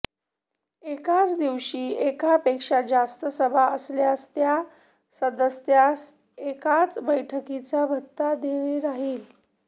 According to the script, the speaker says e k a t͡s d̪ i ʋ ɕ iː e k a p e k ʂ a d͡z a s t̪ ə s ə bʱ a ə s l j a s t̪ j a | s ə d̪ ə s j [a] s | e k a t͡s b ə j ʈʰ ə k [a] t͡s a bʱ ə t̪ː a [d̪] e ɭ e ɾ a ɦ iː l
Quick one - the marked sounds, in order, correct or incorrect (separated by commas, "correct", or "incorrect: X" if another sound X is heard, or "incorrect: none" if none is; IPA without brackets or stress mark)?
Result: correct, incorrect: i, correct